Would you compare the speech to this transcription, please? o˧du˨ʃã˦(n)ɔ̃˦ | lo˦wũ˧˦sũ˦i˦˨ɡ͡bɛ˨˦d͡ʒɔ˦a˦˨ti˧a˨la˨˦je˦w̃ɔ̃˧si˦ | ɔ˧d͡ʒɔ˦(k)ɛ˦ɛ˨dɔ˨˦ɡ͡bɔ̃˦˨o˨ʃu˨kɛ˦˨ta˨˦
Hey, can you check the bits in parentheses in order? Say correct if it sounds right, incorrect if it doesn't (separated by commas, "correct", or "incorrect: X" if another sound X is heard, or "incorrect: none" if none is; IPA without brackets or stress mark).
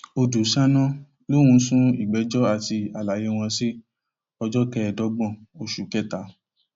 correct, correct